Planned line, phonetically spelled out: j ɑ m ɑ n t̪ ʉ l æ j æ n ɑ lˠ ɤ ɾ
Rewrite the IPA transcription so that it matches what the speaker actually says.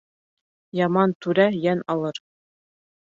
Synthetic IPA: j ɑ m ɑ n t̪ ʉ ɾ æ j æ n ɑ lˠ ɤ ɾ